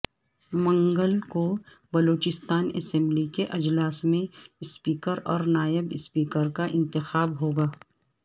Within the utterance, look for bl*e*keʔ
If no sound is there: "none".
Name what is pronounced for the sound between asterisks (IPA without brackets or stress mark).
i